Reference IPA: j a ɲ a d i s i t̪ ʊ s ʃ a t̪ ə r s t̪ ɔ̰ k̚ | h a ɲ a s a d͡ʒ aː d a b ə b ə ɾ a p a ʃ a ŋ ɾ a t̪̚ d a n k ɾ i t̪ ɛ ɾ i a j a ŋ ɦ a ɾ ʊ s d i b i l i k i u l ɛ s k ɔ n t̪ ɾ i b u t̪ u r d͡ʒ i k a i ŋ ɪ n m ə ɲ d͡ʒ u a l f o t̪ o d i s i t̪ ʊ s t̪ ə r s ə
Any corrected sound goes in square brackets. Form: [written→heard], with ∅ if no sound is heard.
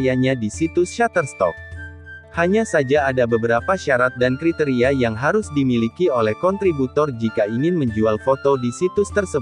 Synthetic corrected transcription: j a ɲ a d i s i t̪ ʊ s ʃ a t̪ ə r s t̪ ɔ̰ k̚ | h a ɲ a s a d͡ʒ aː d a b ə b ə ɾ a p a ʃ a [ŋ→∅] ɾ a t̪̚ d a n k ɾ i t̪ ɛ ɾ i a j a ŋ ɦ a ɾ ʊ s d i [b→m] i l i k i [u→o] l ɛ [s→h] k ɔ n t̪ ɾ i b u t̪ [u→ɔ] r d͡ʒ i k a i ŋ ɪ n m ə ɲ d͡ʒ u a l f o t̪ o d i s i t̪ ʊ s t̪ ə r s ə